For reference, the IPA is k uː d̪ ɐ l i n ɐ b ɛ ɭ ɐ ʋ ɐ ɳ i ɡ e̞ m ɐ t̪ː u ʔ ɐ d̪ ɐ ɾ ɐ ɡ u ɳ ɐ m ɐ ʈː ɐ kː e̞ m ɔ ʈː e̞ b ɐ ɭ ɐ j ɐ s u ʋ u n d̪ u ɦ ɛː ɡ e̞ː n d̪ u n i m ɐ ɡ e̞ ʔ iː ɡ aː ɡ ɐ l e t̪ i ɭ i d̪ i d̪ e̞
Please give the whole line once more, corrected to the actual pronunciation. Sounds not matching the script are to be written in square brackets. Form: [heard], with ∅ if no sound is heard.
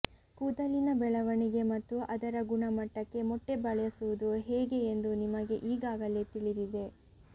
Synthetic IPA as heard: k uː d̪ ɐ l i n ɐ b ɛ ɭ ɐ ʋ ɐ ɳ i ɡ e̞ m ɐ t̪ː u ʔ ɐ d̪ ɐ ɾ ɐ ɡ u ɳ ɐ m ɐ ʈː ɐ kː e̞ m ɔ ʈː e̞ b ɐ ɭ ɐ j ɐ s u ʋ u [∅] d̪ u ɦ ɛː ɡ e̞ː n d̪ u n i m ɐ ɡ e̞ ʔ iː ɡ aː ɡ ɐ l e t̪ i ɭ i d̪ i d̪ e̞